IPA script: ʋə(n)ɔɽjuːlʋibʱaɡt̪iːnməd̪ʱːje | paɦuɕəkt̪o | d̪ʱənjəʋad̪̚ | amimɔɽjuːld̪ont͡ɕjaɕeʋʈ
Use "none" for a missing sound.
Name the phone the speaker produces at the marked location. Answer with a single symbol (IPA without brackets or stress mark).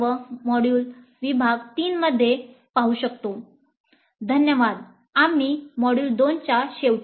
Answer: m